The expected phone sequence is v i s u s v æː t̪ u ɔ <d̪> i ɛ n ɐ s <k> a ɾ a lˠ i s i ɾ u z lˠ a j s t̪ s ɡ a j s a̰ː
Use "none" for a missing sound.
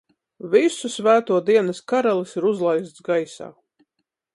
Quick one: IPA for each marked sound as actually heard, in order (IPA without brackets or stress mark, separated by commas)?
d̪, k